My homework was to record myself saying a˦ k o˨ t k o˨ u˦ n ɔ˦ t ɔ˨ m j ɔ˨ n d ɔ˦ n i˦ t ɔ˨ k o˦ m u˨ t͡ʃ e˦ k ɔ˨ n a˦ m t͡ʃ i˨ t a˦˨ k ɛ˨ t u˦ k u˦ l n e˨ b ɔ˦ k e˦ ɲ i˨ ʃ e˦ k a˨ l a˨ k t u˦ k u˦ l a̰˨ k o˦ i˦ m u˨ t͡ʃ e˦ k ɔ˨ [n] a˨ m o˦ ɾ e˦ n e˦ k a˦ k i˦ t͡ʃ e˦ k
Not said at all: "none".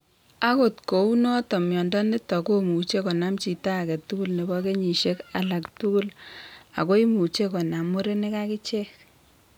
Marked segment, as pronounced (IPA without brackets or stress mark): n